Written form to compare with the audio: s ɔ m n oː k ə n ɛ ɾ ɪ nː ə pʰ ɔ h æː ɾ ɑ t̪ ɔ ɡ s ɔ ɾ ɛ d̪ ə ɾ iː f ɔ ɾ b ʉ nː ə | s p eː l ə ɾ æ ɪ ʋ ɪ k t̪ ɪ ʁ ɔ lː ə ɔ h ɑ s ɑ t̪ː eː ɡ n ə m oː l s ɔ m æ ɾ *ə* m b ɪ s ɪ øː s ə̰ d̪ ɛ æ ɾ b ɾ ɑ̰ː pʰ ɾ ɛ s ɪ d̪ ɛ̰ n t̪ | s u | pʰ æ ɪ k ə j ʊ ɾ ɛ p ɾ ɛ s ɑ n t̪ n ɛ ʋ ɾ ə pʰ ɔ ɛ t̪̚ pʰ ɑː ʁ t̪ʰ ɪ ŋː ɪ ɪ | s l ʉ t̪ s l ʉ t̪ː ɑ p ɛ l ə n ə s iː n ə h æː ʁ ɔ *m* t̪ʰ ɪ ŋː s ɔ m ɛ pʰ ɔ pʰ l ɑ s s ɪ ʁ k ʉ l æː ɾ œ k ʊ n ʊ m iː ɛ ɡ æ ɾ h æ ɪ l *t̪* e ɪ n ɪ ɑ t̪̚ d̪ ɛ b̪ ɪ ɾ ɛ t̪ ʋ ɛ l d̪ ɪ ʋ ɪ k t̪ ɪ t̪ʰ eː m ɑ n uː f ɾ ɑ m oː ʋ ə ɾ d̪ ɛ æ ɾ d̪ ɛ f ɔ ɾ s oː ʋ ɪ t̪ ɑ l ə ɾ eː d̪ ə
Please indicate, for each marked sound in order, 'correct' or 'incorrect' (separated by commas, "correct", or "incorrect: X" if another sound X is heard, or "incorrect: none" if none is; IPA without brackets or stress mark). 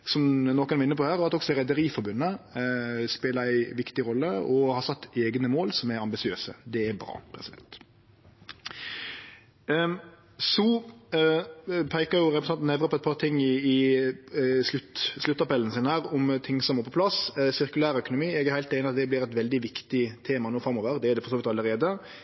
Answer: incorrect: ɑ, correct, correct